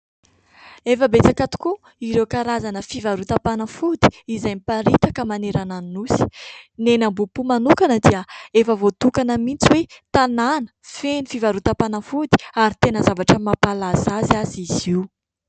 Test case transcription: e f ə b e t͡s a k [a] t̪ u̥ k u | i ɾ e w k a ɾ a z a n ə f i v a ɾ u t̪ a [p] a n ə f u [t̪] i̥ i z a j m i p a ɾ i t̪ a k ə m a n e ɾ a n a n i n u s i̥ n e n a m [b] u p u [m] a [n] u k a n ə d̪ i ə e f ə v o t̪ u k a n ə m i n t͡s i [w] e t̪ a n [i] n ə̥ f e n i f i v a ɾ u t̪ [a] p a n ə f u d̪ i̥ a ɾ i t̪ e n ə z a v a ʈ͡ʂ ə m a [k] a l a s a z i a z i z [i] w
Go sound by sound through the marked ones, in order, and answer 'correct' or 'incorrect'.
correct, correct, incorrect: d̪, correct, correct, correct, correct, incorrect: a, correct, incorrect: p, correct

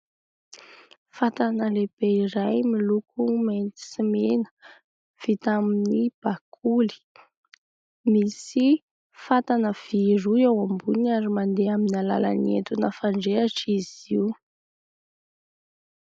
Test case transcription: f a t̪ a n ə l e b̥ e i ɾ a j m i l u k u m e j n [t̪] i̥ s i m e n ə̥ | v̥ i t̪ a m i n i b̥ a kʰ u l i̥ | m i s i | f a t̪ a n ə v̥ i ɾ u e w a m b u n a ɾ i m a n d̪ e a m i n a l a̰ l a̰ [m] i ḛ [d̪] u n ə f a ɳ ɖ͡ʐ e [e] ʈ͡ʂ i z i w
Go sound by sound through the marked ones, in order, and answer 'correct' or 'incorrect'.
correct, incorrect: n, incorrect: t̪, incorrect: a

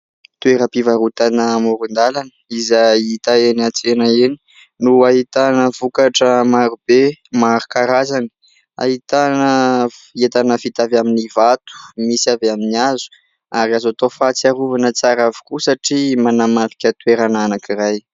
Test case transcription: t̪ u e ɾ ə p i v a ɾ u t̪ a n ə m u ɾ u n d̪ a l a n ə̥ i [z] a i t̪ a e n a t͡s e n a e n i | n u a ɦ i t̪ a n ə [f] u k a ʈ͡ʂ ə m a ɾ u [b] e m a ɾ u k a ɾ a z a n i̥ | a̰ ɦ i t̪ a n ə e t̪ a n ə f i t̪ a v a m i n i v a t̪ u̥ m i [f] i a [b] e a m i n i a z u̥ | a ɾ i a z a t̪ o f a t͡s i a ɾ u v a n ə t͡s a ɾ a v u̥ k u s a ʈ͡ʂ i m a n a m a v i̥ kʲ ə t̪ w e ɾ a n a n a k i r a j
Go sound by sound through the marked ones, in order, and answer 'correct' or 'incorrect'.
correct, incorrect: v, correct, incorrect: s, incorrect: v

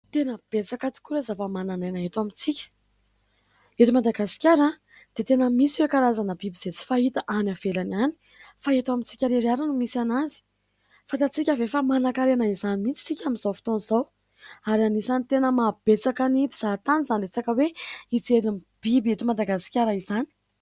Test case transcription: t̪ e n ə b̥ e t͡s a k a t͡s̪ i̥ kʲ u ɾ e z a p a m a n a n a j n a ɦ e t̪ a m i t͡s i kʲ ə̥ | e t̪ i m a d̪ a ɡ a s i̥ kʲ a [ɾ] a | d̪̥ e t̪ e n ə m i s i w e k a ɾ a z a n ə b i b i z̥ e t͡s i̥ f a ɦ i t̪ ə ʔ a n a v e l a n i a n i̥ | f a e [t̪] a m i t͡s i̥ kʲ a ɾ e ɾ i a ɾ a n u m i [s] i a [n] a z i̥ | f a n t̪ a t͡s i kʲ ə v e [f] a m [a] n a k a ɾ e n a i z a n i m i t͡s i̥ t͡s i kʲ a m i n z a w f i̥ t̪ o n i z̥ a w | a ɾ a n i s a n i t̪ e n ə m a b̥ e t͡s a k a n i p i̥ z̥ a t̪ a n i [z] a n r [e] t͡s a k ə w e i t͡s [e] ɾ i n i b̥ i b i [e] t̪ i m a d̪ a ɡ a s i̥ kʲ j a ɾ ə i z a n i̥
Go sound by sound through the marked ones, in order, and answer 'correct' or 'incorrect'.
correct, correct, correct, correct, correct, correct, correct, correct, correct, correct

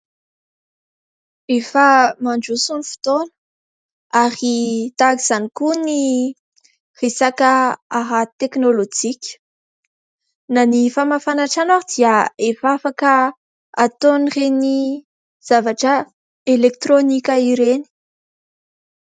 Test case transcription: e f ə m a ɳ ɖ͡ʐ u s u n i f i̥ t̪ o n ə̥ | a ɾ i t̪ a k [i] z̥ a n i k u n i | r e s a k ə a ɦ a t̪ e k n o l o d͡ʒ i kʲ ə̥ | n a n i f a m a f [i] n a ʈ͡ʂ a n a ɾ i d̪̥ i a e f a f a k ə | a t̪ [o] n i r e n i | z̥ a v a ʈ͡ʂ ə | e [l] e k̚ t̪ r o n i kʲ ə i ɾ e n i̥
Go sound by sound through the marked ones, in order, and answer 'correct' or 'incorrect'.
correct, incorrect: a, correct, correct

